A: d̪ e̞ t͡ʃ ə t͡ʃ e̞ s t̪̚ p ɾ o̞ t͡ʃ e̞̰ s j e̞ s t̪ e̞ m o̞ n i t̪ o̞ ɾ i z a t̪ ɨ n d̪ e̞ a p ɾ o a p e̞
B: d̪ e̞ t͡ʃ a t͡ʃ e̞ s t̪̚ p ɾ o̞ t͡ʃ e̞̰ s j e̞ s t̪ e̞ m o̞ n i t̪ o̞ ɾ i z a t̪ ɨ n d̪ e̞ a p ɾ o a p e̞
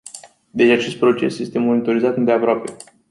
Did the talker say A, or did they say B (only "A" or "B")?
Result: B